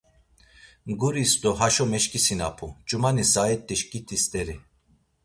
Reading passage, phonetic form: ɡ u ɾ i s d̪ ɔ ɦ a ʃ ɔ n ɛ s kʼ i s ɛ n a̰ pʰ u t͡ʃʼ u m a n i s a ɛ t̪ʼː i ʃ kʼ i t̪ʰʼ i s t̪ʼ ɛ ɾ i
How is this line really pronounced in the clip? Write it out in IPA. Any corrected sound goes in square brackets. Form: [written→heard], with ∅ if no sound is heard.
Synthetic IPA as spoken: ɡ u ɾ i s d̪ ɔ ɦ a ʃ ɔ [n→m] ɛ [s→ʃ] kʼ i s [ɛ→i] n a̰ pʰ u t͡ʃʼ u m a n i s a ɛ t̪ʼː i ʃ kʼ i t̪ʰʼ i s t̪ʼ ɛ ɾ i